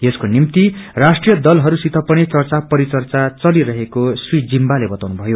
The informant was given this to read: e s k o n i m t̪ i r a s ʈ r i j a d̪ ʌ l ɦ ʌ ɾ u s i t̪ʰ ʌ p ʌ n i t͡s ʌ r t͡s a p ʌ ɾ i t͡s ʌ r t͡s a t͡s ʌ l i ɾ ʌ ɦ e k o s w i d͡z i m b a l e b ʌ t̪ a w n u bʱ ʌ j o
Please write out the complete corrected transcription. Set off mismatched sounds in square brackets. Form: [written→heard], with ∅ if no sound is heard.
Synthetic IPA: e s k o n i m t̪ i r a s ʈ r i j [a→ʌ] d̪ ʌ l ɦ ʌ ɾ u s i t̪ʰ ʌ p ʌ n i t͡s ʌ r t͡s a p ʌ ɾ i t͡s ʌ r t͡s a t͡s ʌ l i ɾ ʌ ɦ e k o s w i d͡z i m b a l e b ʌ t̪ a w n u bʱ ʌ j o